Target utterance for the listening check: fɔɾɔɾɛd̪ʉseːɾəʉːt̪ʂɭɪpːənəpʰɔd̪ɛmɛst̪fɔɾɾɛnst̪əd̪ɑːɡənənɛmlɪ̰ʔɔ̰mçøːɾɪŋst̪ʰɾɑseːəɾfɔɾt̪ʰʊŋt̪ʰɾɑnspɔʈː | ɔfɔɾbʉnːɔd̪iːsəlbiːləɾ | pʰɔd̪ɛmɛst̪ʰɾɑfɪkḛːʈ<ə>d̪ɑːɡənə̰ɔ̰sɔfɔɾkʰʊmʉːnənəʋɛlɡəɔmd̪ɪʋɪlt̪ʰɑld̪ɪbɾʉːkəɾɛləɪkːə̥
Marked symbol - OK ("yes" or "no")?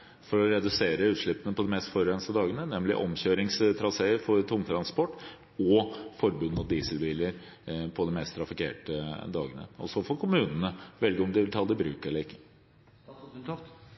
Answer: yes